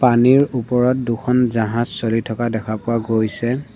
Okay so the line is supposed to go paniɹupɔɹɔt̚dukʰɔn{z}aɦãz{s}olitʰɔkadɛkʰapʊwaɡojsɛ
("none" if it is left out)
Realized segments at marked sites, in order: z, s

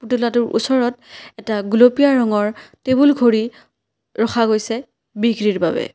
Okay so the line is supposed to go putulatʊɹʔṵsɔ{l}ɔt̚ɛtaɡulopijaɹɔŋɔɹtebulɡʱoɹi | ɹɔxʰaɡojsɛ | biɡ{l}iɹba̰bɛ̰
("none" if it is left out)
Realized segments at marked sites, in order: ɹ, ɹ

